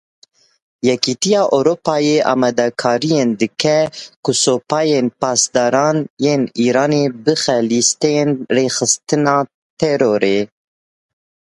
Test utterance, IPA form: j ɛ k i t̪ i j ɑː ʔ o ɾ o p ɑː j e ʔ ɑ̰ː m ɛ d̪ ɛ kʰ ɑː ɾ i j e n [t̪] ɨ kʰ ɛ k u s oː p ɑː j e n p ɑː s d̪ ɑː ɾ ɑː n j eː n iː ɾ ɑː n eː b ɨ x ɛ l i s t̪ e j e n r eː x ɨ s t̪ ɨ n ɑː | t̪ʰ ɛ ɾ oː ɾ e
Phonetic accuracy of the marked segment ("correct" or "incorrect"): incorrect